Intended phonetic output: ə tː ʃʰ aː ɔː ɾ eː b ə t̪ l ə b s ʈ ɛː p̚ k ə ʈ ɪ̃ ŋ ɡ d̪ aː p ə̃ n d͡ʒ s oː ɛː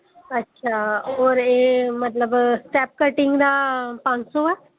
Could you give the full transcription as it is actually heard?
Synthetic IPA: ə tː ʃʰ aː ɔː ɾ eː m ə t̪ l ə b s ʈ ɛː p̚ k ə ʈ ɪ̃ ŋ ɡ d̪ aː p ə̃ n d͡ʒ s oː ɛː